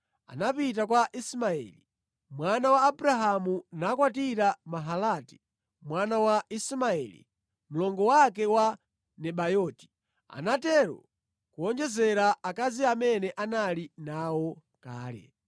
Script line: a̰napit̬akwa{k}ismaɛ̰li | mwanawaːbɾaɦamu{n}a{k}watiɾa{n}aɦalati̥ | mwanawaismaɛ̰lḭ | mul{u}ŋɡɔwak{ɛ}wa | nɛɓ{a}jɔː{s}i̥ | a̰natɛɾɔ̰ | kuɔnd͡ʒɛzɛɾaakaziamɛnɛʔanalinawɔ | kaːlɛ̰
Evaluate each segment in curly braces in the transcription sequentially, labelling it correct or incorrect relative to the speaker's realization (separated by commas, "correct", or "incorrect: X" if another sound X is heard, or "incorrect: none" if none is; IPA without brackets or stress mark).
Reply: incorrect: ʔ, correct, correct, incorrect: m, incorrect: ɔ, correct, correct, incorrect: t